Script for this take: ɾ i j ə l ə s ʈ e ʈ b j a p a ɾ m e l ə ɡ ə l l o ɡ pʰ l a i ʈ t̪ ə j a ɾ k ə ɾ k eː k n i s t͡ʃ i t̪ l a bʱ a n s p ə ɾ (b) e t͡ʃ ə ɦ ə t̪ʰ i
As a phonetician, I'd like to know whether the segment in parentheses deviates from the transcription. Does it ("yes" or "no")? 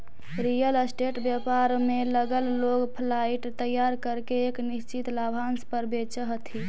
no